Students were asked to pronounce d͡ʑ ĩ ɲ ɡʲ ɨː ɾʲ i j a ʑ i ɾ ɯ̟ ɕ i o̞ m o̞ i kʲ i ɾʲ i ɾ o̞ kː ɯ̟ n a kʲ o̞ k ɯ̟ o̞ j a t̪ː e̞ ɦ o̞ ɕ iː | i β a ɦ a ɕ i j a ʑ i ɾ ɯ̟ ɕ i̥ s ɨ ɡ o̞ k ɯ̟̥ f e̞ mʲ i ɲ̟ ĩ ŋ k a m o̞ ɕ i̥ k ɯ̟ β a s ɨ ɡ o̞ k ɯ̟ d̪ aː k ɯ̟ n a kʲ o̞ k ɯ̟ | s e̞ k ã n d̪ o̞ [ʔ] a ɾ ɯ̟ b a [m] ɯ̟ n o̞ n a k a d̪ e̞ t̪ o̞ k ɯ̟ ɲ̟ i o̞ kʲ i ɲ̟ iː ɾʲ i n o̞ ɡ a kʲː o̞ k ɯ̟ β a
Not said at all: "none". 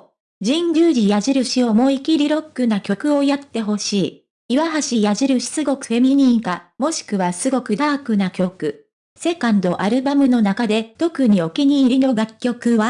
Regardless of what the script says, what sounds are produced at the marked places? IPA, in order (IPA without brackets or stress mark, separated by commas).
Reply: ʔ, m